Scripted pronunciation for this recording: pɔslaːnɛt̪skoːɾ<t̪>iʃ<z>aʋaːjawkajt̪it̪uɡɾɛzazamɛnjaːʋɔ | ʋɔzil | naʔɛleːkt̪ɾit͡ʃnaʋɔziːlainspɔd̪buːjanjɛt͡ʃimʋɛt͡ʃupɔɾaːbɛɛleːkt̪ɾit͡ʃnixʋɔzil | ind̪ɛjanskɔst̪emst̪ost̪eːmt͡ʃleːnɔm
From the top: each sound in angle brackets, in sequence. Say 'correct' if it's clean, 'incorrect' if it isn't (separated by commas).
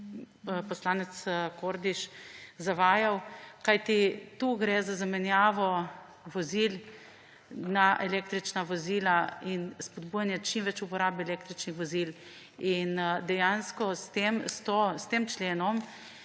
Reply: incorrect, correct